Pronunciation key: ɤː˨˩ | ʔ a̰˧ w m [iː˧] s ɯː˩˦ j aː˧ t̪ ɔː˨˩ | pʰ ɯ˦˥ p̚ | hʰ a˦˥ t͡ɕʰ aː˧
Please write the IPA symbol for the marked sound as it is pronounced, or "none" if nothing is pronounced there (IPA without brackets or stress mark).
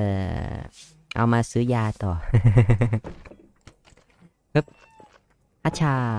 aː˧